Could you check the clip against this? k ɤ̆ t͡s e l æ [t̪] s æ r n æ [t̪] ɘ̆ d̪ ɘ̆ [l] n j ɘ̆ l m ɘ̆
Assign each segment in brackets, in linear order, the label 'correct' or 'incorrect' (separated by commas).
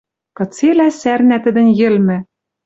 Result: incorrect, correct, incorrect